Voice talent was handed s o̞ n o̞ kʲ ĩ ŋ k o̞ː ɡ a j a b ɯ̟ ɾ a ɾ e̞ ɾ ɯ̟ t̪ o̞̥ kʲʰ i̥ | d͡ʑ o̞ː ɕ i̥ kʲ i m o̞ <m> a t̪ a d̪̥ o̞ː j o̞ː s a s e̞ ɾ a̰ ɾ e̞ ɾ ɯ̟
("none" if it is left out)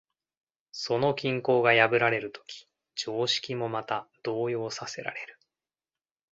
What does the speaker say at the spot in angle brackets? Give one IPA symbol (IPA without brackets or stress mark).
m